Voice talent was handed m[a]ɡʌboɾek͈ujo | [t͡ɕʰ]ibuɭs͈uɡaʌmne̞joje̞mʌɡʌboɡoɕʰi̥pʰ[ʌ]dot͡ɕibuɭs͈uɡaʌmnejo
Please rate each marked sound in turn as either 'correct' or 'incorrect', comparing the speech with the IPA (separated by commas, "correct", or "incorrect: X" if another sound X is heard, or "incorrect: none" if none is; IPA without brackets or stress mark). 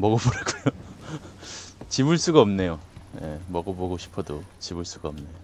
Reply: incorrect: ʌ, incorrect: t͡ɕ, correct